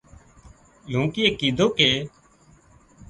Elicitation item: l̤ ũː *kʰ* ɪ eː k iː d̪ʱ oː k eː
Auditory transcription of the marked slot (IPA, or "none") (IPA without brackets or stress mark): k